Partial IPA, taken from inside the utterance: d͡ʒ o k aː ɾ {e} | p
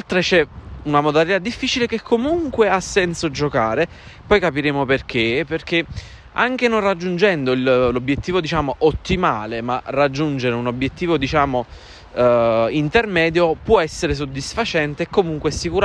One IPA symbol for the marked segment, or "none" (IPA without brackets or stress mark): e